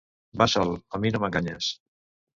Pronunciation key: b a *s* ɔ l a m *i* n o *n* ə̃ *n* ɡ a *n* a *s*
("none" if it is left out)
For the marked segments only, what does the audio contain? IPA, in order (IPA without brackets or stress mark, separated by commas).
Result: s, i, m, ŋ, ɲ, s